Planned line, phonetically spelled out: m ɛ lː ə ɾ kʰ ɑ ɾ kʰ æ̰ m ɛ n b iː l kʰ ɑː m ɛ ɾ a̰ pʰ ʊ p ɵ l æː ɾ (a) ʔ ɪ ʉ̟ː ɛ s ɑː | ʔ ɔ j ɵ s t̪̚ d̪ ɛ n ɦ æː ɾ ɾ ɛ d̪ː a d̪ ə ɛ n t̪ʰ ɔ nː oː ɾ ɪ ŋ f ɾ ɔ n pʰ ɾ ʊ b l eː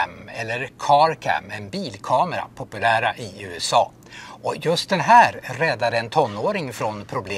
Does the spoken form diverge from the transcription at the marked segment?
no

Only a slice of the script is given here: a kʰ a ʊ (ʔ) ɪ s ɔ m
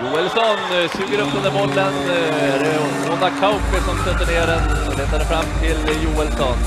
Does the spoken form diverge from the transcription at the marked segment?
yes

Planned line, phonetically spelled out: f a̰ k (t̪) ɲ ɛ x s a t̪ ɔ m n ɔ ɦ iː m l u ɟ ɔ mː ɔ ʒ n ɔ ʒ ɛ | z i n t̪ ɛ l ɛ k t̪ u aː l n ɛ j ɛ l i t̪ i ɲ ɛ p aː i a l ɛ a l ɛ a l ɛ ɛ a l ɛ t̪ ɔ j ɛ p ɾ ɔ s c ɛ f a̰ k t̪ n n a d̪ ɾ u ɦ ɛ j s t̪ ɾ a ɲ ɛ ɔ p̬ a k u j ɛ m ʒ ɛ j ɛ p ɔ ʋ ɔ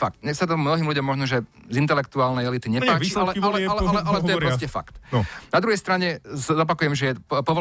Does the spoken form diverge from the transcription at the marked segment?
no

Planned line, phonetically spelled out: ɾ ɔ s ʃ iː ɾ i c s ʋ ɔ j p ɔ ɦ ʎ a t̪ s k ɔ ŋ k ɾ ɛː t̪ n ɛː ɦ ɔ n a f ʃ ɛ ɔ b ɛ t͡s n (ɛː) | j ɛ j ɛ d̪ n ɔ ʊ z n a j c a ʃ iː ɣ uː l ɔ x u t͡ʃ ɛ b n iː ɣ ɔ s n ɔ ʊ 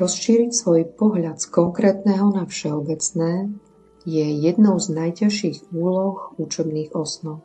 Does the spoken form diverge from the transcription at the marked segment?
no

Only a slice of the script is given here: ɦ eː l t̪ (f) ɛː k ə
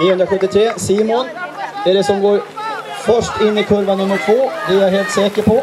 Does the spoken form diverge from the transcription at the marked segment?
yes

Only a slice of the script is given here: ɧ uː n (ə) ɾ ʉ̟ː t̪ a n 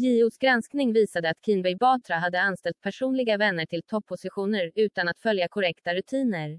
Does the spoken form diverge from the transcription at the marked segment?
no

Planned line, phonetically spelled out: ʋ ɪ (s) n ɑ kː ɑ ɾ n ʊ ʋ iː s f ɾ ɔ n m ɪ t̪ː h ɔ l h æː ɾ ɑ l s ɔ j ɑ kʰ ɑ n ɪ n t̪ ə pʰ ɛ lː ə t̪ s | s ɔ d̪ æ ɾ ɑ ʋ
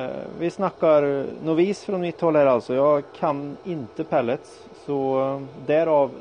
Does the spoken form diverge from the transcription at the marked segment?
no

